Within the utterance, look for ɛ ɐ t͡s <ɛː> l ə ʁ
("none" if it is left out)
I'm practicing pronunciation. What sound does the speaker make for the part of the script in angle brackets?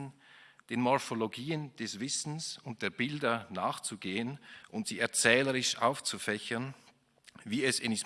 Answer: ɛː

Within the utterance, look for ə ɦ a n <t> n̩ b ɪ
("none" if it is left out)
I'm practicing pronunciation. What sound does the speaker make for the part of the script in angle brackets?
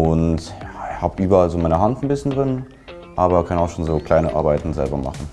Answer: t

